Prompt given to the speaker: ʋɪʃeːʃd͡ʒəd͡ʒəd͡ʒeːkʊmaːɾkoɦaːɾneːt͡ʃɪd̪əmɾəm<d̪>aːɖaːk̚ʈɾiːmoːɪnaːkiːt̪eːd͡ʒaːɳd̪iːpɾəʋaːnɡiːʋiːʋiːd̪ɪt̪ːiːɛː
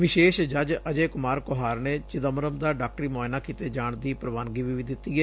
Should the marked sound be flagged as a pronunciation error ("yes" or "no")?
no